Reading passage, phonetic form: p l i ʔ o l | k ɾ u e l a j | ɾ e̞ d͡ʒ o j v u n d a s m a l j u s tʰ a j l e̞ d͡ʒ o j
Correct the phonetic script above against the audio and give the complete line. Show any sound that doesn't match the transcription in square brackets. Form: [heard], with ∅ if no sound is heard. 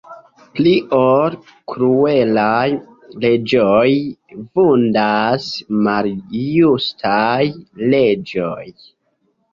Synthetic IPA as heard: p l i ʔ o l | k ɾ u e l a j | [l] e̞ d͡ʒ o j v u n d a s m a l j u s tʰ a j l e̞ d͡ʒ o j